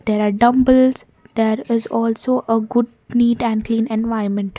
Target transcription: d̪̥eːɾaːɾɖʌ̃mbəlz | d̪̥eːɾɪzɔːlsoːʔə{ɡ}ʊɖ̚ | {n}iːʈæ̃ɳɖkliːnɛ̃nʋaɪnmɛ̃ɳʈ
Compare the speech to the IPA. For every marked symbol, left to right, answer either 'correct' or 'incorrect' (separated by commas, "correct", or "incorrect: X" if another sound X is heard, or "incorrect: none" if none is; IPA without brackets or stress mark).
correct, correct